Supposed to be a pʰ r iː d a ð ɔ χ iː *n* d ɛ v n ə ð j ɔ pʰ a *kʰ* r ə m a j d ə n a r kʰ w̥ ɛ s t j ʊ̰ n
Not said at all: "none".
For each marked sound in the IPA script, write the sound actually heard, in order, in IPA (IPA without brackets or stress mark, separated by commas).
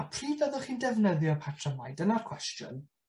n, tʰ